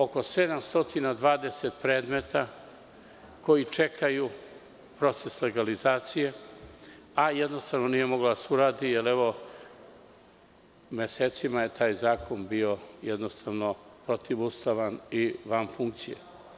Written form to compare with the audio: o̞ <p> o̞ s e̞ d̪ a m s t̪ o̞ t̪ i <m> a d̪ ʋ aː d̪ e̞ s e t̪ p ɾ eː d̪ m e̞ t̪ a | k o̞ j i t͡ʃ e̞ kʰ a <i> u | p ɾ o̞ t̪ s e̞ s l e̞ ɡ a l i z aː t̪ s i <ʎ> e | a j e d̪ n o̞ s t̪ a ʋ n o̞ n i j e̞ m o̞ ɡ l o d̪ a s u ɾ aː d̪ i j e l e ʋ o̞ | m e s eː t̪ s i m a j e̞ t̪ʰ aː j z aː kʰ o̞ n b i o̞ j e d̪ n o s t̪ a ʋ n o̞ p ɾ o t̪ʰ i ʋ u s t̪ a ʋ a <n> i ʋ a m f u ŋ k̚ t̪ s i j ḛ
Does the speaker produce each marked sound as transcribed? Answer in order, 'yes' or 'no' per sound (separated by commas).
no, no, no, no, yes